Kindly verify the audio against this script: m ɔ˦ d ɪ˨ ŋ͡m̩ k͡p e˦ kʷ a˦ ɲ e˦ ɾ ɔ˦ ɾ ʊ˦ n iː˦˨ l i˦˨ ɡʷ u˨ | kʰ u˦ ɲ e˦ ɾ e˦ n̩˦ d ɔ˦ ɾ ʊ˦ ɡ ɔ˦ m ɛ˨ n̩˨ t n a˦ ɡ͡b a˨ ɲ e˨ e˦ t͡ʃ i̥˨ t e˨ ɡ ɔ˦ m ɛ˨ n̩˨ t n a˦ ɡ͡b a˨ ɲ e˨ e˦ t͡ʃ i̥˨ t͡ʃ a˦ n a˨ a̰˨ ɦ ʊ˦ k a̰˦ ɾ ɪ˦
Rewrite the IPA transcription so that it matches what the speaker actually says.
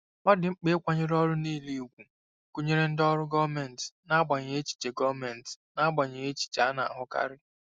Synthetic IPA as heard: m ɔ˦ d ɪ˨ ŋ͡m̩ k͡p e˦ kʷ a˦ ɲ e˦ ɾ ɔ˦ ɾ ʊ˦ n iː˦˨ l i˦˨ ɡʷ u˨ | k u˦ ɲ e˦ ɾ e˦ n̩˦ d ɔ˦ ɾ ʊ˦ ɡ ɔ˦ m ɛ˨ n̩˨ t n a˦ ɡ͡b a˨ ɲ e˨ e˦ t͡ʃ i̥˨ t͡ʃ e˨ ɡ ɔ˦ m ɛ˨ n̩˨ t n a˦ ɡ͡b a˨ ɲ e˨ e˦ t͡ʃ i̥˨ t͡ʃ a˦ n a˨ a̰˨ ɦ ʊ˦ k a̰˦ ɾ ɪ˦